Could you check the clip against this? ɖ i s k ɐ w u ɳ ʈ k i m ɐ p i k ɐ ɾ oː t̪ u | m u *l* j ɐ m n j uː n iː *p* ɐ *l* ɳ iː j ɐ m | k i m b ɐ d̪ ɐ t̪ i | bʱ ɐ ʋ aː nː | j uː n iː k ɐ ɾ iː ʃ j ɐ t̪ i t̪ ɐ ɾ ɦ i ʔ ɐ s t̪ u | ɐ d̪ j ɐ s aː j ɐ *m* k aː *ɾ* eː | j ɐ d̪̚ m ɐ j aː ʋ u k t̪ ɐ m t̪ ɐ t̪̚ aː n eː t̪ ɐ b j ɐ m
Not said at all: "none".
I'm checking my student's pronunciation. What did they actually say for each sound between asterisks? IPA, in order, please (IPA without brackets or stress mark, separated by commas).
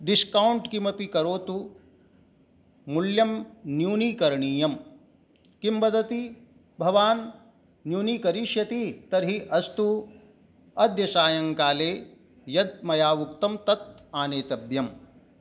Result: l, k, ɾ, ŋ, l